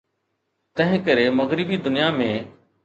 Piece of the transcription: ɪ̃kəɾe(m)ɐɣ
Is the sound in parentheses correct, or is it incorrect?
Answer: correct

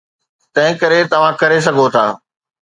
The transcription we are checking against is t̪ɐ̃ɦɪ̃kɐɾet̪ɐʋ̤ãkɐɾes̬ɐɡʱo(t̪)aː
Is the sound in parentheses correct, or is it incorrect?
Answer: incorrect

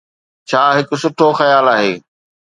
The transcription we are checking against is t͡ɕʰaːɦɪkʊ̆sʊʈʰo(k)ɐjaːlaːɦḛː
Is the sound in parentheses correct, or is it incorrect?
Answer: incorrect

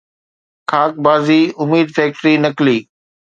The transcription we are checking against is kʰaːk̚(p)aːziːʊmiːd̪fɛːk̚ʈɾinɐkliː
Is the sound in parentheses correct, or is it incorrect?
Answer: incorrect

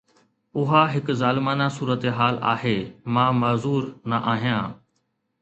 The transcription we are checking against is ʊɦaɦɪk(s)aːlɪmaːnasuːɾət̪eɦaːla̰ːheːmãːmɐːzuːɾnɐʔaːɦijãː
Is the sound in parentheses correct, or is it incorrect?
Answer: incorrect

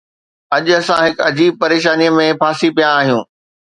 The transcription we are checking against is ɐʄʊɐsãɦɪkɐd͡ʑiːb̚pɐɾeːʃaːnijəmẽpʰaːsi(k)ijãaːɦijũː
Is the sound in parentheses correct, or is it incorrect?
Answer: incorrect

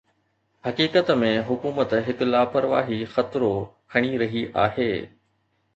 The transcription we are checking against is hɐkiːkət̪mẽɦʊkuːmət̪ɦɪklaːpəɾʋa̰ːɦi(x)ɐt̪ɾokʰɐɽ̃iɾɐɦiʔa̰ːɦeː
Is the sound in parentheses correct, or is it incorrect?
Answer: correct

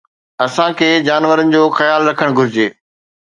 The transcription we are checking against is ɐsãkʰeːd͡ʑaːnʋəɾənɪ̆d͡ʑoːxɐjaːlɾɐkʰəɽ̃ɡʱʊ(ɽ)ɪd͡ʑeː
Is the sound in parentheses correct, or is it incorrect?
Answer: incorrect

